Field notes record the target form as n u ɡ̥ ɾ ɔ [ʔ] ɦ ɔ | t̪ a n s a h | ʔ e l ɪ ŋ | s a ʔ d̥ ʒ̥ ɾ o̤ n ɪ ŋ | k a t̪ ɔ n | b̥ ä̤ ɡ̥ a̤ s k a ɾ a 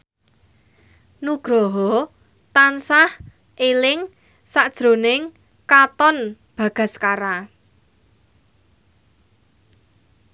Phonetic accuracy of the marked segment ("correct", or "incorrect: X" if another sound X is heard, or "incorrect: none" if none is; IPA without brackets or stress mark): incorrect: none